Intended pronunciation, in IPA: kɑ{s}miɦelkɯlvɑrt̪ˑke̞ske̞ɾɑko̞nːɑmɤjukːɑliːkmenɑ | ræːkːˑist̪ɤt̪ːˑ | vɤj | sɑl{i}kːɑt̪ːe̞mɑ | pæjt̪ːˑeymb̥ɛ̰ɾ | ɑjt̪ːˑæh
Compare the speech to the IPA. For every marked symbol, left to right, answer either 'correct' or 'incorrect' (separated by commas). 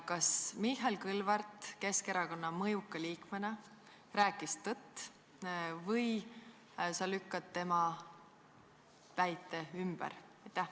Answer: correct, incorrect